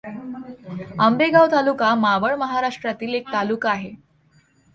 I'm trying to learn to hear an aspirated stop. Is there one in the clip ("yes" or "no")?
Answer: no